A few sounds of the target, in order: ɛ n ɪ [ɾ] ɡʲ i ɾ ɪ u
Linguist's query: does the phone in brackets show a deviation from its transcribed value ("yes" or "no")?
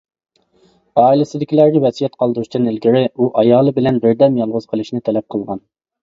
yes